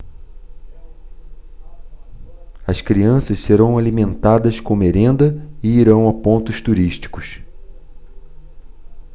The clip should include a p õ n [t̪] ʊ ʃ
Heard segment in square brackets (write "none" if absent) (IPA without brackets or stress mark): t̪